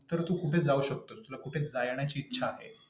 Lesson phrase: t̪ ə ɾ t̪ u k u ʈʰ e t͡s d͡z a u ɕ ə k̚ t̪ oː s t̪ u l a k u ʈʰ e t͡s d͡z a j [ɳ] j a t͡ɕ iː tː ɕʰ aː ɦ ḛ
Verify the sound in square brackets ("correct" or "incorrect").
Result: correct